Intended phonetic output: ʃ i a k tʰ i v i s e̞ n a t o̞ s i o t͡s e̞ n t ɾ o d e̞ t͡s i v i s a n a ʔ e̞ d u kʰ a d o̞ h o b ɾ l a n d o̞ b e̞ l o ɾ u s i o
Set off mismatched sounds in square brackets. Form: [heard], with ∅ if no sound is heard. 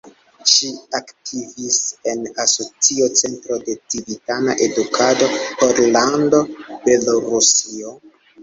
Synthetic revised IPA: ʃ i a k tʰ i v i s e̞ n a [s] o̞ [t͡s] i o t͡s e̞ n t ɾ o d e̞ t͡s i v i [t] a n a ʔ e̞ d u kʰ a d o̞ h o [∅] ɾ l a n d o̞ b e̞ l o ɾ u s i o